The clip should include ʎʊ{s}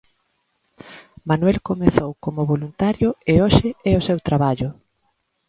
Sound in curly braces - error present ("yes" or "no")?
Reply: yes